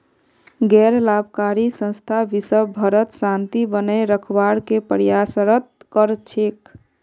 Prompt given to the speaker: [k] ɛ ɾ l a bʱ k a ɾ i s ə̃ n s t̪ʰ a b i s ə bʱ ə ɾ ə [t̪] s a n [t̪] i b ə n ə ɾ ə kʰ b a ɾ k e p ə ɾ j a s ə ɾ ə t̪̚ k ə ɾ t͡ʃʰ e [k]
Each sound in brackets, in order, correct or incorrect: incorrect: ɡ, correct, correct, correct

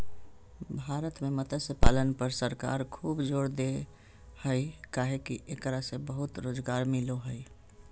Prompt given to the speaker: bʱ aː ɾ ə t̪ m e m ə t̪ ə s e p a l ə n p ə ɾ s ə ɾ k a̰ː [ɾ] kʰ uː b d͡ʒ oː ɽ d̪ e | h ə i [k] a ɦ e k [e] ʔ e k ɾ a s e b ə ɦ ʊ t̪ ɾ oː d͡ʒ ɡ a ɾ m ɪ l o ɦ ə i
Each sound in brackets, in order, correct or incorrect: correct, correct, incorrect: i

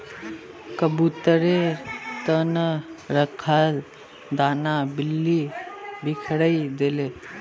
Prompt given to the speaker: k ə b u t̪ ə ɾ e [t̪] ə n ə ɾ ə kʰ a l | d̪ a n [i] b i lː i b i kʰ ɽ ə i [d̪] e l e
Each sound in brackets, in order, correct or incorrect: correct, incorrect: a, correct

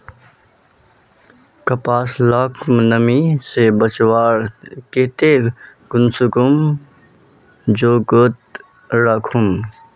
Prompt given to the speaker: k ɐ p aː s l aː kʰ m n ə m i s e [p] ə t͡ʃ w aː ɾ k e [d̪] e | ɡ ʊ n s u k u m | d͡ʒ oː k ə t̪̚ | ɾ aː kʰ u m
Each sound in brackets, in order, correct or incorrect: incorrect: b, incorrect: t̪

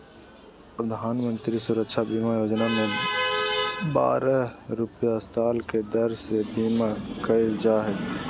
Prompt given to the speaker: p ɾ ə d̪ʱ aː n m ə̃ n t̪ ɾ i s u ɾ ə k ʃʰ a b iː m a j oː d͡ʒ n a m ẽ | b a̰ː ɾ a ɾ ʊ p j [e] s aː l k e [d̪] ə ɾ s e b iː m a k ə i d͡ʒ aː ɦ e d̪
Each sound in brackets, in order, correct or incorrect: incorrect: a, correct

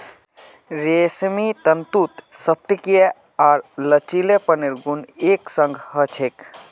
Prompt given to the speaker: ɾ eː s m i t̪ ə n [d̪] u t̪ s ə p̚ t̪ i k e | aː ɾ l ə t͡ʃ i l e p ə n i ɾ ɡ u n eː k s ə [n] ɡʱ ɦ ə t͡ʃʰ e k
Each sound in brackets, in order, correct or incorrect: incorrect: t̪, incorrect: ŋ

